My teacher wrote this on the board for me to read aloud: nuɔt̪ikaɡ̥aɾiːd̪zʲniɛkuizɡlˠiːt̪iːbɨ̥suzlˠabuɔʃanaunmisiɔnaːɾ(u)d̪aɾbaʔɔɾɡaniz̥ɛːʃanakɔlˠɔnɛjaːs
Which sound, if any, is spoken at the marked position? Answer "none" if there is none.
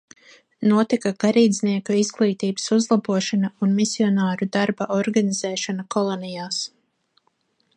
u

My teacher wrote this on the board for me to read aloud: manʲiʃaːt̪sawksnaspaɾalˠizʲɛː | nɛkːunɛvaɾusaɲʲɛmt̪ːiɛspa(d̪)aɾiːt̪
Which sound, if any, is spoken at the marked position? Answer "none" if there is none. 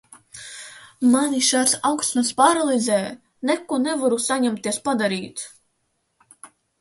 d̪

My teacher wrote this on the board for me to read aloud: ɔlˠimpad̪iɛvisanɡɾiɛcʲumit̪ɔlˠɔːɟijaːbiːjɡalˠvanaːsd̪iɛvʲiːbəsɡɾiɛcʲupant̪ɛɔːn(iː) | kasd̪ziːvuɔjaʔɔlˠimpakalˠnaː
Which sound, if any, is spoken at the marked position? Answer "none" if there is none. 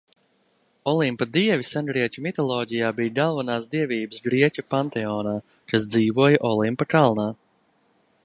aː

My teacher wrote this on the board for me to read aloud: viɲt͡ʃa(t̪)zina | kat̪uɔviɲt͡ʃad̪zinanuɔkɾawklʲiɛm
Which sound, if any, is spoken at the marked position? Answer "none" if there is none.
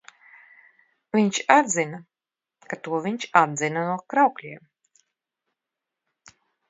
d̪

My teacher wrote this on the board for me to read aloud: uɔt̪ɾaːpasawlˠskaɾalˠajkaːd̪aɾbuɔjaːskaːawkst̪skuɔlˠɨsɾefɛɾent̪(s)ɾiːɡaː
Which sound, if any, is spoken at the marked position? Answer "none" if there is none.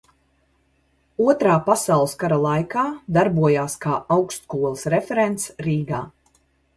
s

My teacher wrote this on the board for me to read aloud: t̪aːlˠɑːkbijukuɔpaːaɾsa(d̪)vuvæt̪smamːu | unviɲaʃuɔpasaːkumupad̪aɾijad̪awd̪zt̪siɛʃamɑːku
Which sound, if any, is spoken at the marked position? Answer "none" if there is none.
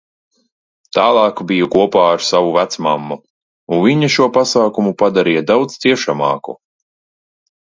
none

